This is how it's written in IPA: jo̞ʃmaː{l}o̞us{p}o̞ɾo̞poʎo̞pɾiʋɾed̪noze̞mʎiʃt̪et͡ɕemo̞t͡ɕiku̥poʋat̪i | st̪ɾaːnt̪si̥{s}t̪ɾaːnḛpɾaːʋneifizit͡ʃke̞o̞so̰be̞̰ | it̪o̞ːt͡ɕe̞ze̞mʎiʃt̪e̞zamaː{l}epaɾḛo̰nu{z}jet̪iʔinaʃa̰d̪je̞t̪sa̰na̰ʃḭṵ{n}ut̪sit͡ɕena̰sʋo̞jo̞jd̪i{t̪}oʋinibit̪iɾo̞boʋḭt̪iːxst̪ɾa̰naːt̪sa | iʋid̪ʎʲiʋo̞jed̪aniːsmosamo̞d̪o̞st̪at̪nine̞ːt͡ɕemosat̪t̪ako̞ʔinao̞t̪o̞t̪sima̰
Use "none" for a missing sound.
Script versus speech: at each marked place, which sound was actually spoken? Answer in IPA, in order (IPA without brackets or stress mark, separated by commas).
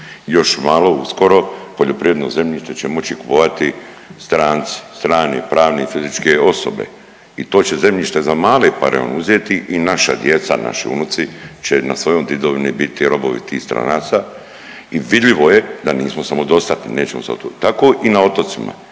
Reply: l, k, s, l, z, n, d̪